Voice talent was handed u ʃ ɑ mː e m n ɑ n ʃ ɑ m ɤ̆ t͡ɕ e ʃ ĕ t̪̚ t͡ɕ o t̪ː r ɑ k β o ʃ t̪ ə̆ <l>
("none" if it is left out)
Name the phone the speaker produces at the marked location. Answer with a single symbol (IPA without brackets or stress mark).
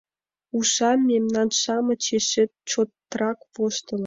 l